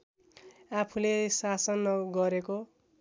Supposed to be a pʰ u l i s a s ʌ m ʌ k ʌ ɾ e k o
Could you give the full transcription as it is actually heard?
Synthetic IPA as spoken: a pʰ u l e s a s ʌ n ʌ ɡ ʌ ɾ e k o